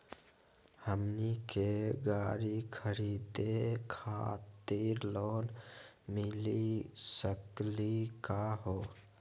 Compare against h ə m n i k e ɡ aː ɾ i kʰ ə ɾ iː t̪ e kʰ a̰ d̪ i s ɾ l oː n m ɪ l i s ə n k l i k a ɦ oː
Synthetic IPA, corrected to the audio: h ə m n i k e ɡ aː ɾ i kʰ ə ɾ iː d̪ e kʰ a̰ t̪ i ɾ l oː n m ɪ l i s ə k l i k a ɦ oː